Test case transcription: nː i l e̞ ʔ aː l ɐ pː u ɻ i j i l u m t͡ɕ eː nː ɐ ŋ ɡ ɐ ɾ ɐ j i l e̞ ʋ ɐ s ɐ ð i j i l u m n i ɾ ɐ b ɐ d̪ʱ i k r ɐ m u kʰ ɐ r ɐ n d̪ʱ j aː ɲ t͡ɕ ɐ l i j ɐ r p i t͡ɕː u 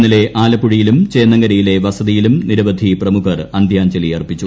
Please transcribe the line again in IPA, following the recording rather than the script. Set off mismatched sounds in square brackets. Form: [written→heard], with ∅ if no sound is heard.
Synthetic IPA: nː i l e̞ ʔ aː l ɐ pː u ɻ i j i l u m t͡ɕ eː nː ɐ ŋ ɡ ɐ ɾ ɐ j i l e̞ ʋ ɐ s ɐ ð i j i l u m n i ɾ ɐ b ɐ d̪ʱ i [k→p] r ɐ m u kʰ ɐ r ɐ n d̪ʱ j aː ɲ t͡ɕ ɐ l i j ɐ r p i t͡ɕː u

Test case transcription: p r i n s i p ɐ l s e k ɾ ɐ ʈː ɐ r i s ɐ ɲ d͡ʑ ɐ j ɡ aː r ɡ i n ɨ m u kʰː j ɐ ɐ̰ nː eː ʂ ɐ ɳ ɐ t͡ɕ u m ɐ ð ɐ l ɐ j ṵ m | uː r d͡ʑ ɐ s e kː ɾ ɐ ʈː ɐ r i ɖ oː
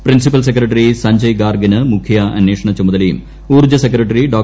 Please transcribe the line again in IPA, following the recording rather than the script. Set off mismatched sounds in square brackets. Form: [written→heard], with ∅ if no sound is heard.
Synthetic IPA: p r i n s i p ɐ l s e k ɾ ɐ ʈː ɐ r i s ɐ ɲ d͡ʑ ɐ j ɡ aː r ɡ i n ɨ m u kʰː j ɐ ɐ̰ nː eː ʂ ɐ ɳ ɐ t͡ɕ u m ɐ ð ɐ l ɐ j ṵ m | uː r d͡ʑ ɐ s e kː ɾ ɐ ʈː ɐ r i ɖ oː

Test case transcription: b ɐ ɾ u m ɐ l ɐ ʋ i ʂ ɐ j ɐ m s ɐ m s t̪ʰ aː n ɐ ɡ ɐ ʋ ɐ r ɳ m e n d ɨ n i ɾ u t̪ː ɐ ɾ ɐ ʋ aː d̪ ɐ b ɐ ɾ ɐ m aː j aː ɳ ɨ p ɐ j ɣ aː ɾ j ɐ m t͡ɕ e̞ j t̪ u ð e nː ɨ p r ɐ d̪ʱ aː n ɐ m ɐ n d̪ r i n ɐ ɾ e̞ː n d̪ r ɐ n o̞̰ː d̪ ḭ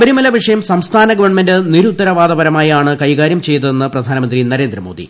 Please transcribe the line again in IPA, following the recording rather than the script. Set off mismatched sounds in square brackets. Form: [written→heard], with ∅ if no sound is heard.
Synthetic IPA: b ɐ ɾ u m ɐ l ɐ ʋ i ʂ ɐ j ɐ m s ɐ m s t̪ʰ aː n ɐ ɡ ɐ ʋ ɐ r ɳ m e n d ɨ n i ɾ u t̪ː ɐ ɾ ɐ ʋ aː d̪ ɐ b ɐ ɾ ɐ m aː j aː ɳ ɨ [p→k] ɐ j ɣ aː ɾ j ɐ m t͡ɕ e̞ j t̪ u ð e nː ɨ p r ɐ d̪ʱ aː n ɐ m ɐ n d̪ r i n ɐ ɾ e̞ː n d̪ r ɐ [n→m] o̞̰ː d̪ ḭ

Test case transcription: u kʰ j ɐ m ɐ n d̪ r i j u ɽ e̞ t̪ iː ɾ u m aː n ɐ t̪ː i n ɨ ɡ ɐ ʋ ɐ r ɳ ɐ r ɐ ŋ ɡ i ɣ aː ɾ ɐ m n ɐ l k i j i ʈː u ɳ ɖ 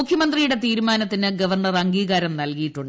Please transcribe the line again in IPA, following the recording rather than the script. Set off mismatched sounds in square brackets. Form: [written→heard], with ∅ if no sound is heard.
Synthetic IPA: u kʰ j ɐ m ɐ n d̪ r i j u ɽ e̞ t̪ iː ɾ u m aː n ɐ t̪ː i n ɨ ɡ ɐ ʋ ɐ r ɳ ɐ r ɐ ŋ ɡ [i→iː] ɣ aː ɾ ɐ m n ɐ l k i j i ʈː u ɳ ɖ

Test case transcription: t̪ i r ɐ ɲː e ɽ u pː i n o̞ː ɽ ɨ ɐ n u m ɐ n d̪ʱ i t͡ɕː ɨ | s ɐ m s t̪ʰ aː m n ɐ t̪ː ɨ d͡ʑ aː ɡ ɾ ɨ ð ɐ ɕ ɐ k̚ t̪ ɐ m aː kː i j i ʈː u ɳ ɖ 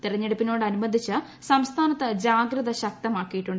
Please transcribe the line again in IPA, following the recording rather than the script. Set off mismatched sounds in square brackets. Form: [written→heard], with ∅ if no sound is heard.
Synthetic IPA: t̪ i r ɐ ɲː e ɽ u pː i n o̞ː ɽ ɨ ɐ n u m ɐ n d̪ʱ i t͡ɕː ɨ | s ɐ m s t̪ʰ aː [m→∅] n ɐ t̪ː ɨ d͡ʑ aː ɡ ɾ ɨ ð ɐ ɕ ɐ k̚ t̪ ɐ m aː kː i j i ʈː u ɳ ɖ

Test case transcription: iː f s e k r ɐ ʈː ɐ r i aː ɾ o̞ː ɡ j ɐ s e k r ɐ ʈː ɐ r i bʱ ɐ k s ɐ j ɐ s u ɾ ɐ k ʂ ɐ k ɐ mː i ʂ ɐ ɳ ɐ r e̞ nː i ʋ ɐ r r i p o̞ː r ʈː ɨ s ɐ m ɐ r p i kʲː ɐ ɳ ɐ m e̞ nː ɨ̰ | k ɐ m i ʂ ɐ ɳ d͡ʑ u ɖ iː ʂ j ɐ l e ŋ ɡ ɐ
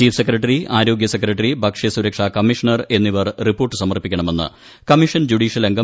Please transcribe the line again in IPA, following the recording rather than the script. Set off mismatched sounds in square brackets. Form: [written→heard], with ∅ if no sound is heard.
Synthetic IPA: iː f s e k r ɐ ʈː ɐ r i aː ɾ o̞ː ɡ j ɐ s e k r ɐ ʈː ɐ r i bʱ ɐ k [s→ʂ] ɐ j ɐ s u ɾ ɐ k ʂ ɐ k ɐ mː i ʂ ɐ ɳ ɐ r e̞ nː i ʋ ɐ r r i p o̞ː r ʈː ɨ s ɐ m ɐ r p i kʲː ɐ ɳ ɐ m e̞ nː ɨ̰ | k ɐ m i ʂ ɐ [ɳ→n] d͡ʑ u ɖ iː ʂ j ɐ l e ŋ ɡ ɐ

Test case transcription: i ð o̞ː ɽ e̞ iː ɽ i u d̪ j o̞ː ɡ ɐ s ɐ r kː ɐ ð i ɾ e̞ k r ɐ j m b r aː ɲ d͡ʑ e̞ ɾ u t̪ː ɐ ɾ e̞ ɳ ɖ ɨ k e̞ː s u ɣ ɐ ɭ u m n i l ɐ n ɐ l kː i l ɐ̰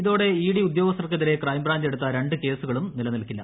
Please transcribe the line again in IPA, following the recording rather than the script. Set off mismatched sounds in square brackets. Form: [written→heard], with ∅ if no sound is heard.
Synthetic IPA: i ð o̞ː ɽ e̞ iː ɽ i u d̪ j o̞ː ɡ ɐ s ɐ r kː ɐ ð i ɾ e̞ k r ɐ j m b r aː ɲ d͡ʑ e̞ [ɾ→ɽ] u t̪ː ɐ ɾ e̞ ɳ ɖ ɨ k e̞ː s u ɣ ɐ ɭ u m n i l ɐ n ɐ l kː i [l→lː] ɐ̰

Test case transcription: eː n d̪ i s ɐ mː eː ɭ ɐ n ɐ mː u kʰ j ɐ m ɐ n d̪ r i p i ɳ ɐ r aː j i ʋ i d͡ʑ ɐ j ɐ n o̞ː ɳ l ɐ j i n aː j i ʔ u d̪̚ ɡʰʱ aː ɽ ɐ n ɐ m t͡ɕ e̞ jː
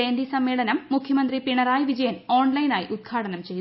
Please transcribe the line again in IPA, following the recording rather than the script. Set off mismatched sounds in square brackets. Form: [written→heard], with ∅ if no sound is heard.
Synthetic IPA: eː n d̪ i s ɐ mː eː ɭ ɐ n ɐ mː u kʰ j ɐ m ɐ n d̪ r i p i ɳ ɐ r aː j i ʋ i d͡ʑ ɐ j ɐ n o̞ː ɳ l ɐ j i n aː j i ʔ u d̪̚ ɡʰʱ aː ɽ ɐ n ɐ m t͡ɕ e̞ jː

